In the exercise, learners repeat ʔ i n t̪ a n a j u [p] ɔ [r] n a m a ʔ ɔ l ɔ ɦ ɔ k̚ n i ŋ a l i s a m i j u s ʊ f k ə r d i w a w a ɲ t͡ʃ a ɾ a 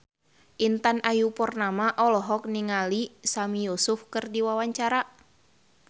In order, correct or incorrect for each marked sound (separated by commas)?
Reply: correct, correct